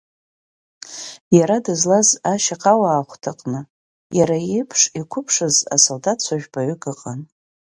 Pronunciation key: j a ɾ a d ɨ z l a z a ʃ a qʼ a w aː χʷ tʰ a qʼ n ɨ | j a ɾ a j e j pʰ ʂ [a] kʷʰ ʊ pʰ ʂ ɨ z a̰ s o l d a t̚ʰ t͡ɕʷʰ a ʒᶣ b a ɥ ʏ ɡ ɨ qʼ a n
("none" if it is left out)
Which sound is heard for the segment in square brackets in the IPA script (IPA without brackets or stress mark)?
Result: i